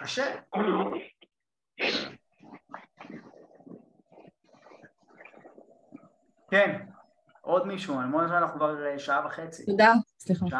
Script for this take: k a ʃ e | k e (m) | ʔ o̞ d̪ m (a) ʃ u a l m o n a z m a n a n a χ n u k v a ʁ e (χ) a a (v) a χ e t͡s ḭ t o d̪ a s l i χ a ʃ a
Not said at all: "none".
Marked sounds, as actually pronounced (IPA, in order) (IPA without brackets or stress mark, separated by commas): n, i, ʃ, v